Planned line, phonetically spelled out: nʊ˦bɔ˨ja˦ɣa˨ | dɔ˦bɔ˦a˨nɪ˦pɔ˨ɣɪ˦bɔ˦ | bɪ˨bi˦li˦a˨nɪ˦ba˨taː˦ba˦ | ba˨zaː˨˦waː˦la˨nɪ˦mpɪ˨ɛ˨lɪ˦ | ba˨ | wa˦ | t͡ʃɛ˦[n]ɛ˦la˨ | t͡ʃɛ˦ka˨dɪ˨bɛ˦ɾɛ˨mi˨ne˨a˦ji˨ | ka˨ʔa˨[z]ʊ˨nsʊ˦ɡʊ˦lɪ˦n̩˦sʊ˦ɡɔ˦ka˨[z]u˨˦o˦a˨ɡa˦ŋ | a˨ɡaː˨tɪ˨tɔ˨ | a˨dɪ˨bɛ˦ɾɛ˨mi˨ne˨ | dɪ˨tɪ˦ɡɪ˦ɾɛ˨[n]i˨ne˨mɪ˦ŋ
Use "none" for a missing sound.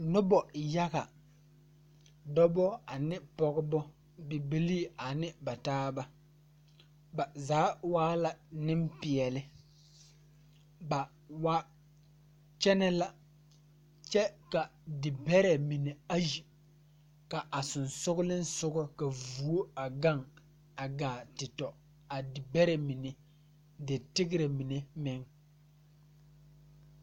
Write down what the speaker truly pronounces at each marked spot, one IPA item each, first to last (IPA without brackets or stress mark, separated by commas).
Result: n, s, v, m